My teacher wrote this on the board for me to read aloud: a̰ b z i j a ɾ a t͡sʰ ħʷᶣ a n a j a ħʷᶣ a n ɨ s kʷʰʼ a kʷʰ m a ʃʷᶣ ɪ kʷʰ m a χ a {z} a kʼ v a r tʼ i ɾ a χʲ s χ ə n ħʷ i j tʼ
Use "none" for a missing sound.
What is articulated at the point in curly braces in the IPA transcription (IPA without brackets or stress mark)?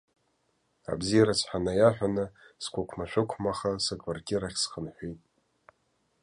s